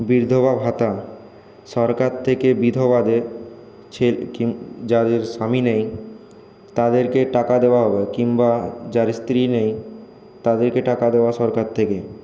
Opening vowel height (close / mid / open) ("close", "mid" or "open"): close